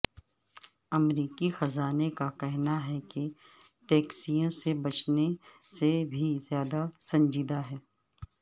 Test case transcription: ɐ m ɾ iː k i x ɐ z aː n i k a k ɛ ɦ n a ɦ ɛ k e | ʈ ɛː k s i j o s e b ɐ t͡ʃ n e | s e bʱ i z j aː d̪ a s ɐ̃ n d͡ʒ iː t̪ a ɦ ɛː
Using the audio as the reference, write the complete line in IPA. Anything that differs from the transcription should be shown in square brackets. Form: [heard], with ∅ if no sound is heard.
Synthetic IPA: ɐ m ɾ iː k i x ɐ z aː n [e] k a k ɛ ɦ n a ɦ ɛ k e | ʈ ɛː k s i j [õ] s e b ɐ t͡ʃ n e | s e bʱ i z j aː d̪ a s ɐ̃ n d͡ʒ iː [d̪] a ɦ ɛː